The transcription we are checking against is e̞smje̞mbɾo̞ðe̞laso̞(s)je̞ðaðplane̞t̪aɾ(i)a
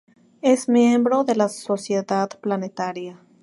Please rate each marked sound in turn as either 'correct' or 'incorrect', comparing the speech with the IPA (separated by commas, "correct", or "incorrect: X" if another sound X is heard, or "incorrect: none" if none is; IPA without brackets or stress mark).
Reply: correct, incorrect: j